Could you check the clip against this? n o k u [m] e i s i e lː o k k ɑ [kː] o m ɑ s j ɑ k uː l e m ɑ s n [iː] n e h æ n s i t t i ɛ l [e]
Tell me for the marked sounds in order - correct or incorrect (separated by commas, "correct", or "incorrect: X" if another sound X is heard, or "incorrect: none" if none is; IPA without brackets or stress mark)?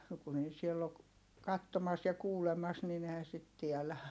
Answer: incorrect: n, incorrect: tː, incorrect: i, incorrect: æ